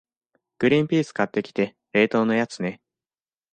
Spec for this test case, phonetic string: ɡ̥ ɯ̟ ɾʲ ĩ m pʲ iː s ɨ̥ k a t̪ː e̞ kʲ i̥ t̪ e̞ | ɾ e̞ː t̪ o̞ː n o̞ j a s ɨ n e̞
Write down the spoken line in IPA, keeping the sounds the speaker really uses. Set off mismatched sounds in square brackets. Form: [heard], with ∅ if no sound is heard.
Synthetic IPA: ɡ̥ ɯ̟ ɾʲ ĩ m pʲ iː s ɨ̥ k a t̪ː e̞ kʲ i̥ t̪ e̞ | ɾ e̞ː t̪ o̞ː n o̞ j a [t͡s] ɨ n e̞